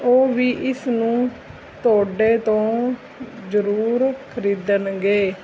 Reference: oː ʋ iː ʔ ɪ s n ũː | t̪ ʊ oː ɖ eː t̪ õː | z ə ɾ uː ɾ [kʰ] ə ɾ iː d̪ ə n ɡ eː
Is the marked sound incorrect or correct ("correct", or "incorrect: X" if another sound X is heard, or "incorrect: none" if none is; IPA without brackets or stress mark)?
correct